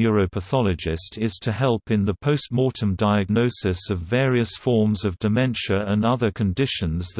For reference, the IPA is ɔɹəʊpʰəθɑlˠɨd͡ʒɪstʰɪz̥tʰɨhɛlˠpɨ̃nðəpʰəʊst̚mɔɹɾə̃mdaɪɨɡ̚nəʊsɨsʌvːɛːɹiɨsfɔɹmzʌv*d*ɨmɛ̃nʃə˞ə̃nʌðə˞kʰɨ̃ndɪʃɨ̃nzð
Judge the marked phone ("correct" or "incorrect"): correct